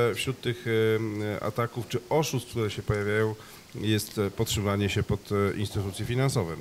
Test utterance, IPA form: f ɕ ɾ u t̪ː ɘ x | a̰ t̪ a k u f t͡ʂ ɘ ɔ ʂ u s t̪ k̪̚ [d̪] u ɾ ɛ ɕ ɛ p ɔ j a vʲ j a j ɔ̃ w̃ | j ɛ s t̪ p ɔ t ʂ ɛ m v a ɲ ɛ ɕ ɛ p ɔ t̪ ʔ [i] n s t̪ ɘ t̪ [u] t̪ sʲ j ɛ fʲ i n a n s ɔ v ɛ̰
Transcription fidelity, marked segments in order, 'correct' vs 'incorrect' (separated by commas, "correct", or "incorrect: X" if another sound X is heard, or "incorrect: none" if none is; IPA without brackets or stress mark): incorrect: t̪, correct, correct